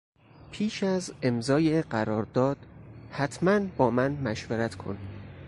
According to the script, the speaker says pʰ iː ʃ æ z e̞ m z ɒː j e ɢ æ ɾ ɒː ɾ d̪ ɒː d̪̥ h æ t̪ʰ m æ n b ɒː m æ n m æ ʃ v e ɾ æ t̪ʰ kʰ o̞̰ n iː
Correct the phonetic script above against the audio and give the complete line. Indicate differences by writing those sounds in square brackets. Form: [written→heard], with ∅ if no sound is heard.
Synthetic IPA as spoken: pʰ iː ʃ æ z e̞ m z ɒː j e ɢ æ ɾ ɒː ɾ d̪ ɒː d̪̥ h æ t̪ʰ m æ n b ɒː m æ n m æ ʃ v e ɾ æ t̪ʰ kʰ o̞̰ n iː